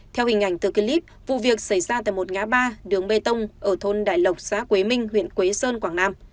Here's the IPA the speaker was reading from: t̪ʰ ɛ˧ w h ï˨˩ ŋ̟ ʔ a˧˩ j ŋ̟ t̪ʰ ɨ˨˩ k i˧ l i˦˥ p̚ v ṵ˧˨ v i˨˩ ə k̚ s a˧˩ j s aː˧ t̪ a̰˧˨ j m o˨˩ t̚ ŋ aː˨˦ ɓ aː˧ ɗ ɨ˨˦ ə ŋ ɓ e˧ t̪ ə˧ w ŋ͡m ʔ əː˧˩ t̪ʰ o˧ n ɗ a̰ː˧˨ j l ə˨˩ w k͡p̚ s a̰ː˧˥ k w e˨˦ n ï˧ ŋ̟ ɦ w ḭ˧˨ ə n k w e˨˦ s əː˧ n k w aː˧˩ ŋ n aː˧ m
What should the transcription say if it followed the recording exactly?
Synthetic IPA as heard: t̪ʰ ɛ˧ w h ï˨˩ ŋ̟ ʔ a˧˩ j ŋ̟ t̪ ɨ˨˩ k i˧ l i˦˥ p̚ v ṵ˧˨ v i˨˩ ə k̚ s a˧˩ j z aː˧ t̪ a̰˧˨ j m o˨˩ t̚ ŋ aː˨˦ ɓ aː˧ ɗ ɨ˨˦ ə ŋ ɓ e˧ t̪ ə˧ w ŋ͡m ʔ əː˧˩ t̪ʰ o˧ n ɗ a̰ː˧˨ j l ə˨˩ w k͡p̚ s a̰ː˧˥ k w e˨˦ m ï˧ ŋ̟ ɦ w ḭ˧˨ ə n k w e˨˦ s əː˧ n k w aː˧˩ ŋ n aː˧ m